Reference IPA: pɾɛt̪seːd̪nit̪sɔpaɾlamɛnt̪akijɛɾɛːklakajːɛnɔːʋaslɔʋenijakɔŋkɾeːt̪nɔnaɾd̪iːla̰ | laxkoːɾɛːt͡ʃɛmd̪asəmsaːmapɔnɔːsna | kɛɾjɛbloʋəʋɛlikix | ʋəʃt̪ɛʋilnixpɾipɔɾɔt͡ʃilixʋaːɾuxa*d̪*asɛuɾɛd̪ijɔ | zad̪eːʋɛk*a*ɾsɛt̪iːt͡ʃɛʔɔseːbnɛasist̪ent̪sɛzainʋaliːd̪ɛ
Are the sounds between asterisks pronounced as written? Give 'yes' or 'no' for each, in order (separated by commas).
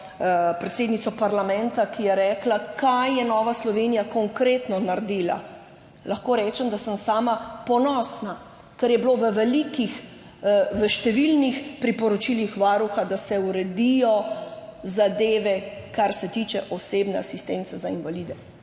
yes, yes